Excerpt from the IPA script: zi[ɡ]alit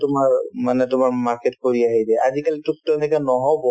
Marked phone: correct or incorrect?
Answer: incorrect